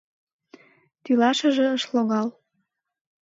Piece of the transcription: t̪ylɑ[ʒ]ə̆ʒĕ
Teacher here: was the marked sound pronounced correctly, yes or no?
no